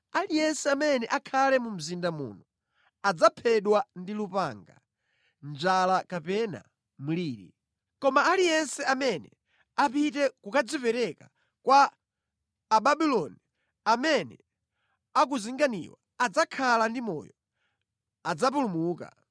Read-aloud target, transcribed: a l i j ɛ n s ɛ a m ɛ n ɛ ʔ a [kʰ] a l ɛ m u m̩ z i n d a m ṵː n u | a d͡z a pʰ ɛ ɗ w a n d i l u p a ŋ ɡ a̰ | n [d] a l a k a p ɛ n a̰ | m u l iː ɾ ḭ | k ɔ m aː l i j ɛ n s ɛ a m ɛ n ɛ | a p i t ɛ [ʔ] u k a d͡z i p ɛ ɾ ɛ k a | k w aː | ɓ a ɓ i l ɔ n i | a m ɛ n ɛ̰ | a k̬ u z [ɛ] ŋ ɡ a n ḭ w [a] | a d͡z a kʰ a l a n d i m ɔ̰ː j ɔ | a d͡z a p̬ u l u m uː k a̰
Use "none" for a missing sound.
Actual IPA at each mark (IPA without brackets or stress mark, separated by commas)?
kʰ, d͡ʒ, k, i, a